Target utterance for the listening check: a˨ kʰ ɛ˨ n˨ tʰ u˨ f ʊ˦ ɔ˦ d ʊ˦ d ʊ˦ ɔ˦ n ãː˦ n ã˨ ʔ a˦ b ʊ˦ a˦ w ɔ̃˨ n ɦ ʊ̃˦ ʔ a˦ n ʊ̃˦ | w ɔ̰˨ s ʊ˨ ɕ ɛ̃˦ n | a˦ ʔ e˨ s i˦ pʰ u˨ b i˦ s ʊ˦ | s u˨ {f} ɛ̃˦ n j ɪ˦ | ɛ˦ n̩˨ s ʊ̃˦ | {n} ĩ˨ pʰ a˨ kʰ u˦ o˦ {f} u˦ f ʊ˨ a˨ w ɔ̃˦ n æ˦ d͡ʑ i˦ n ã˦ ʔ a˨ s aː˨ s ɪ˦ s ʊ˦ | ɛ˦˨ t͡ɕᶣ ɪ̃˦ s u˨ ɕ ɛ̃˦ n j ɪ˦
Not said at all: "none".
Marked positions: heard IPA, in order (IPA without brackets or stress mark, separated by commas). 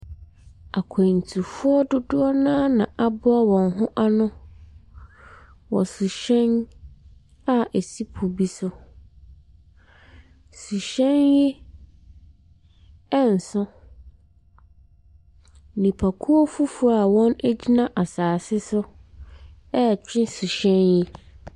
ɕ, n, f